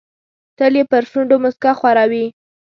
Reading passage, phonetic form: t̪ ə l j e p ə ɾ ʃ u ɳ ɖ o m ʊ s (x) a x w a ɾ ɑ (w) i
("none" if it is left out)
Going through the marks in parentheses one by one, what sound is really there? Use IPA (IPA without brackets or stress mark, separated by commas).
k, w